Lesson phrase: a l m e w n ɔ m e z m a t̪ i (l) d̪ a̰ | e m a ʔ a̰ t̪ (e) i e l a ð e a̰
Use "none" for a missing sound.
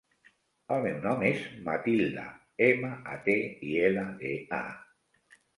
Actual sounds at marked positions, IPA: l, e

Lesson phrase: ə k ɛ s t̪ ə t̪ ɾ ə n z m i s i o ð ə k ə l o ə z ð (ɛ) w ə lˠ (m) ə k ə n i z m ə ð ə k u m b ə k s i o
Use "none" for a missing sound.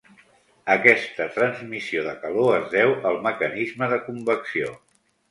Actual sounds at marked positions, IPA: ɛ, m

